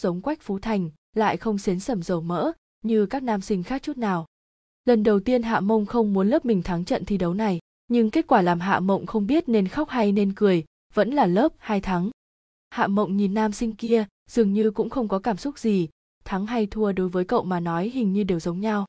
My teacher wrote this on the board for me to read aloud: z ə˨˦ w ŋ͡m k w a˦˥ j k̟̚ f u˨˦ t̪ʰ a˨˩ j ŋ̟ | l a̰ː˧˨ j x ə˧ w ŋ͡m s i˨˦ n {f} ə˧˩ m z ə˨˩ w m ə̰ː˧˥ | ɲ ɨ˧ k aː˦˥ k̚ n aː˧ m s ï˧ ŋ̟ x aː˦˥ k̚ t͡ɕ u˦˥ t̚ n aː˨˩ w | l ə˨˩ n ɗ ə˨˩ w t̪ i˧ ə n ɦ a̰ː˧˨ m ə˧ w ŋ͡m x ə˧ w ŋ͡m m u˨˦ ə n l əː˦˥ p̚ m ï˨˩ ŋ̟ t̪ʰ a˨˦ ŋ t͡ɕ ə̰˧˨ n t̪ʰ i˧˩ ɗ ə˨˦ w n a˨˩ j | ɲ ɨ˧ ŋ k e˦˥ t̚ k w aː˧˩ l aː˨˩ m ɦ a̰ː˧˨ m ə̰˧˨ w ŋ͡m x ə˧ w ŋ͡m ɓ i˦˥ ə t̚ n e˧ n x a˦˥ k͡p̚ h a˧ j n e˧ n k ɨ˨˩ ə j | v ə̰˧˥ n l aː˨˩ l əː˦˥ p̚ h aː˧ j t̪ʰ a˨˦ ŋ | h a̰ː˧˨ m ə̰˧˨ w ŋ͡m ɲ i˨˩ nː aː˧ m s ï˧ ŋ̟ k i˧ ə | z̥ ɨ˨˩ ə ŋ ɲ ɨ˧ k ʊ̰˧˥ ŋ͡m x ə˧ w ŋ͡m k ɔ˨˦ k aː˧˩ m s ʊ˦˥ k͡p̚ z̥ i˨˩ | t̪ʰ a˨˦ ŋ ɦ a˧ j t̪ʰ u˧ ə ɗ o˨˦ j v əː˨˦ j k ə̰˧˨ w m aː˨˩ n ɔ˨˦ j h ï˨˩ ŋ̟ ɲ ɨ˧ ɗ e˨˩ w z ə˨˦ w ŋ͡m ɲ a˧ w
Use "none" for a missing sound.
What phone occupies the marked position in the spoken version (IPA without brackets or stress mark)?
s